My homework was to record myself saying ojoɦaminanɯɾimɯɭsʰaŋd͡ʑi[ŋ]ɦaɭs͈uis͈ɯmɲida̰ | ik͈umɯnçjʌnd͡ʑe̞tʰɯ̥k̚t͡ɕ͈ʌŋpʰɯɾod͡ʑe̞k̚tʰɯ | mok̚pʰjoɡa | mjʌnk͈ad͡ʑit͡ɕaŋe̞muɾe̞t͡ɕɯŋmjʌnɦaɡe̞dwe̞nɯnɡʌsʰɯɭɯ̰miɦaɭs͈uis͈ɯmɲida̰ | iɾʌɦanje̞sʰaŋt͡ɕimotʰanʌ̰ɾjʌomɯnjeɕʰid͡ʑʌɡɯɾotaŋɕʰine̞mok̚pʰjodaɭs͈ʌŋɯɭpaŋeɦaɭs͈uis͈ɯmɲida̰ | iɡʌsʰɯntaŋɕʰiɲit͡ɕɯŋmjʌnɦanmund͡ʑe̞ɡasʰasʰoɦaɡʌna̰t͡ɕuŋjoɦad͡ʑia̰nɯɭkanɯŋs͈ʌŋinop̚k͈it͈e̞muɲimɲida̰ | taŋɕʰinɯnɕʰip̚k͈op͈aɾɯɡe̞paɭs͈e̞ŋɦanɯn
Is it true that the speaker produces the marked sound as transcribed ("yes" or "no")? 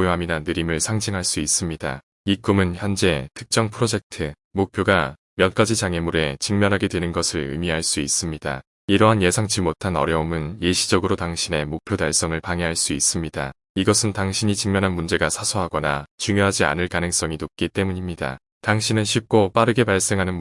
yes